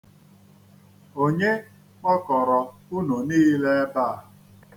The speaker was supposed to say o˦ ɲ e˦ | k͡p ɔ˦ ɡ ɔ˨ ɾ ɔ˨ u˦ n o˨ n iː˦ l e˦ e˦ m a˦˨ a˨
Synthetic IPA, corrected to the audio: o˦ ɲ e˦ | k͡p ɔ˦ k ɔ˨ ɾ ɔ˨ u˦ n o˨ n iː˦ l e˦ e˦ b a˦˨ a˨